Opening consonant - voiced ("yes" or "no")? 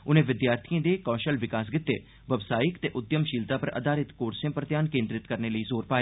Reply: yes